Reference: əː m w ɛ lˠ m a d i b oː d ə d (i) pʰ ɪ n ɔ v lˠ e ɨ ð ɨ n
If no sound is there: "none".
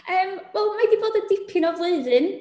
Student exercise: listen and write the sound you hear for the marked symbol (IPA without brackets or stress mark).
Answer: ɪ